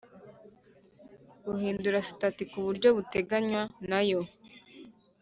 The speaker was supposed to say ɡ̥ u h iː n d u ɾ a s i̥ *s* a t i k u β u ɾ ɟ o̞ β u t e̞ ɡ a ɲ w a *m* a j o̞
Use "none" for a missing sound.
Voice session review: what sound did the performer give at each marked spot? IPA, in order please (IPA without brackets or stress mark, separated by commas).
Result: t, n